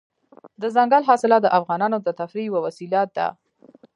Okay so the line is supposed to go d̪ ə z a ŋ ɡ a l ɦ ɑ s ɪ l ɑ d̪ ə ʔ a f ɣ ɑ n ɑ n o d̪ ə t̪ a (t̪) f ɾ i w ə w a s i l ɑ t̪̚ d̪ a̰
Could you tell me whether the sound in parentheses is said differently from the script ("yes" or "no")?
yes